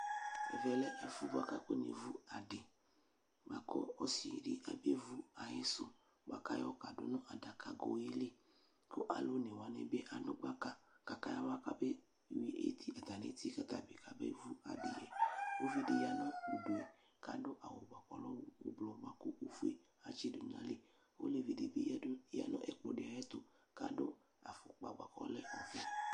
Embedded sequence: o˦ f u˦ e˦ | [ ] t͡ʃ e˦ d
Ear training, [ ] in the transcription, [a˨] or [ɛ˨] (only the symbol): a˨